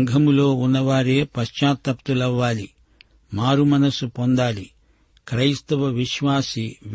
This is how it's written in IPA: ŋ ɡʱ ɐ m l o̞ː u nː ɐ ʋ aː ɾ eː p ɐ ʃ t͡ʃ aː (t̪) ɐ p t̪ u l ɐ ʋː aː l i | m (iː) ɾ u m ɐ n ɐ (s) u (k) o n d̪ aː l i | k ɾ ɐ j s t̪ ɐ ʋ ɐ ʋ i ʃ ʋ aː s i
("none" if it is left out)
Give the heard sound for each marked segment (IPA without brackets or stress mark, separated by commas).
t̪, aː, s, p